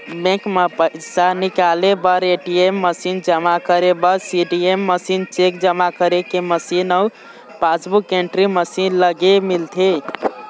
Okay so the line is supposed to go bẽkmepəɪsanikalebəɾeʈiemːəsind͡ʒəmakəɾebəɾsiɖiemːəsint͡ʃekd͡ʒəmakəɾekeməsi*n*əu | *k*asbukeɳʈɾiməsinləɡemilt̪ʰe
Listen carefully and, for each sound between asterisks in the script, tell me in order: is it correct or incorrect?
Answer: correct, incorrect

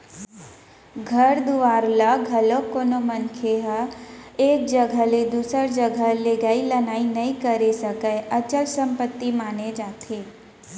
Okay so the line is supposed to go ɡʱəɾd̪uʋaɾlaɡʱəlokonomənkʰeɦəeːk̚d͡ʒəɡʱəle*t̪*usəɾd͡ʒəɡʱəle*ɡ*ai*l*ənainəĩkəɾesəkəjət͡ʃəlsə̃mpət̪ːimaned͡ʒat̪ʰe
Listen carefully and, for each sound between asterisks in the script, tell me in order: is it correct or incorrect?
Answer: incorrect, correct, correct

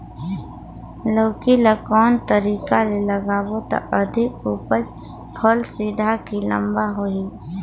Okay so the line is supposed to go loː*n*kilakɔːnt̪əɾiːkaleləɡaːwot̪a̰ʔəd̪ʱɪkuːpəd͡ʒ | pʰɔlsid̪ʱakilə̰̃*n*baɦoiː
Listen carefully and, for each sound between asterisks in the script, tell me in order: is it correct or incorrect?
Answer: incorrect, incorrect

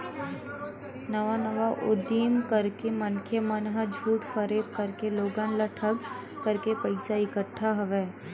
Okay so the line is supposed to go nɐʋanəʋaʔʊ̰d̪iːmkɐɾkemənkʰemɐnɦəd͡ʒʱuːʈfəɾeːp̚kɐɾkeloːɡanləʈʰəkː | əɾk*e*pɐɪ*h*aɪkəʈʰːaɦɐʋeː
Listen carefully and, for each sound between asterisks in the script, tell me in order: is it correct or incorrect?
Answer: correct, incorrect

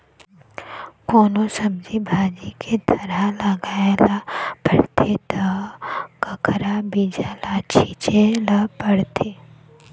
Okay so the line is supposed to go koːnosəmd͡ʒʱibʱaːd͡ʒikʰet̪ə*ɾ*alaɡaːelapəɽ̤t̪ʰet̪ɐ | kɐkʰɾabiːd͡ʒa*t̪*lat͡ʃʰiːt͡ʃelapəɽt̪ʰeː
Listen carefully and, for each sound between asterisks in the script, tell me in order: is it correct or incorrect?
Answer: correct, incorrect

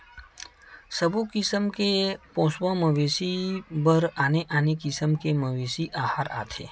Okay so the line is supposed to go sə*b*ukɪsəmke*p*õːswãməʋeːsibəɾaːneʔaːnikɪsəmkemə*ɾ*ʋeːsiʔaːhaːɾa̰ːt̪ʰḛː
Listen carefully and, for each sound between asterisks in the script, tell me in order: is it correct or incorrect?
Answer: correct, correct, incorrect

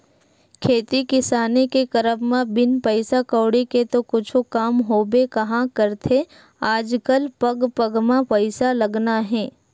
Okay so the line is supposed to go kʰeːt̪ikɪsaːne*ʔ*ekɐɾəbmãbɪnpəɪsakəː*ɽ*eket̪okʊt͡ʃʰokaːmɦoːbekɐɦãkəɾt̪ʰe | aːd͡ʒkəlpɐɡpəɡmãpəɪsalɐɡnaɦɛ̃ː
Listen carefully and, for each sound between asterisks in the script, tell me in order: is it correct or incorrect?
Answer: incorrect, correct

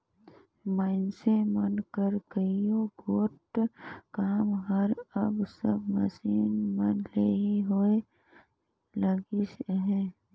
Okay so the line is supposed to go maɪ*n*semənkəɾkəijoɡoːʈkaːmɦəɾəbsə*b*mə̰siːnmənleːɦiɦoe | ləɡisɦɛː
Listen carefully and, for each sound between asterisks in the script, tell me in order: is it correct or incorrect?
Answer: correct, correct

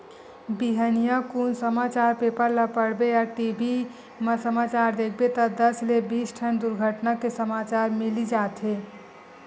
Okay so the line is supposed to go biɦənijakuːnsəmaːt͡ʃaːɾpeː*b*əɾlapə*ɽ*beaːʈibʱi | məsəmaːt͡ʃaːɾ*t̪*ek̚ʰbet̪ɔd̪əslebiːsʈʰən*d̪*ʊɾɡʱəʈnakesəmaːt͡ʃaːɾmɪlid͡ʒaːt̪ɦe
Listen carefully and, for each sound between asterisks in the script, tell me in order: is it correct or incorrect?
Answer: incorrect, correct, incorrect, correct

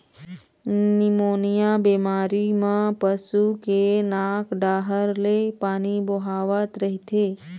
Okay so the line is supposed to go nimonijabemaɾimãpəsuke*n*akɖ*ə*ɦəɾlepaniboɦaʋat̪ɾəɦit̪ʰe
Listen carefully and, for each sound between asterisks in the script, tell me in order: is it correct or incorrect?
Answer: correct, incorrect

